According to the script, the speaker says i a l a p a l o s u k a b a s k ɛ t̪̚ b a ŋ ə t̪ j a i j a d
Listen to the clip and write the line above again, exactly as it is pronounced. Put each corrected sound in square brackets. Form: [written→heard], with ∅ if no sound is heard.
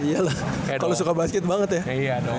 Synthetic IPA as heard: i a l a [p→k] a l o s u k a b a s k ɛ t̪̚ b a ŋ ə t̪ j a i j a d